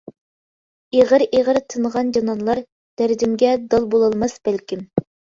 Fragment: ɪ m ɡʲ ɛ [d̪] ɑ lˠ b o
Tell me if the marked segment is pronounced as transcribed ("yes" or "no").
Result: yes